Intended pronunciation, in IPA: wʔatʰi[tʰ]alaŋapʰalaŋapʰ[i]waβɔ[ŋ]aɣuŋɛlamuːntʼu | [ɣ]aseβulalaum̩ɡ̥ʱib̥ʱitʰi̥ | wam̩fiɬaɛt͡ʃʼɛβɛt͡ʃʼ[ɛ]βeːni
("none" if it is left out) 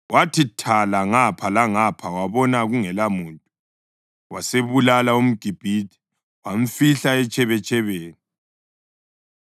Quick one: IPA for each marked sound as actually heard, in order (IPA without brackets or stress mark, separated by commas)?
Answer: tʰ, a, n, w, ɛ